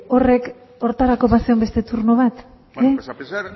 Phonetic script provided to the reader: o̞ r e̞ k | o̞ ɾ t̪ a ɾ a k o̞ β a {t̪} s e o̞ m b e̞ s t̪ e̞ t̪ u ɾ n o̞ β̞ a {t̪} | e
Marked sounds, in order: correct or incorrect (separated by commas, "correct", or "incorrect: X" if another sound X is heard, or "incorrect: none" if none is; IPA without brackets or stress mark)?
incorrect: none, correct